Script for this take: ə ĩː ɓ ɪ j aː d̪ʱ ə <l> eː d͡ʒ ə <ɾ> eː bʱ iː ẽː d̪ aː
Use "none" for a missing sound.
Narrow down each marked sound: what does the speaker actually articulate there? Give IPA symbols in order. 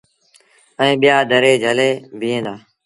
ɾ, l

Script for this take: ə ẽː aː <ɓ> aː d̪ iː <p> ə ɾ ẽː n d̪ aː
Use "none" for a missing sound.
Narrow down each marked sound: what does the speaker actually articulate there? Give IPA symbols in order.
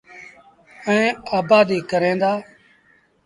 b, k

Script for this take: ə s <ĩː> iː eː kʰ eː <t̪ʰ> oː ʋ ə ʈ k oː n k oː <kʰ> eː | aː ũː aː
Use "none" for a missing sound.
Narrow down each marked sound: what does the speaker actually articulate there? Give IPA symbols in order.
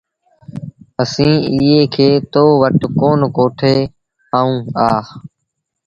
ĩː, t̪, ʈʰ

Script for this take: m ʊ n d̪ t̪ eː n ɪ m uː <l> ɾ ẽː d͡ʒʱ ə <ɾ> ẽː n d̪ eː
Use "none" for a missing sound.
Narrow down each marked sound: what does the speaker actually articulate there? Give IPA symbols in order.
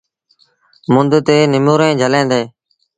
none, l

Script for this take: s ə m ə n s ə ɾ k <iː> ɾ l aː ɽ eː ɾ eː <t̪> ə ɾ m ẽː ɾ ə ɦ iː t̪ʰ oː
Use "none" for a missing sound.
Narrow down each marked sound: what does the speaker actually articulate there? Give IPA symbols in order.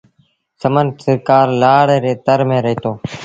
aː, t̪

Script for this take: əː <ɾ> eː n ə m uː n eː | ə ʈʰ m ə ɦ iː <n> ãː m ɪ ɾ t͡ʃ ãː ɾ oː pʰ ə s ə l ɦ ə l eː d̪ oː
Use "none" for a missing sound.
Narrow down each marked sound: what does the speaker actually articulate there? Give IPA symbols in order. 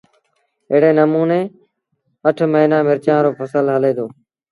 ɽ, n

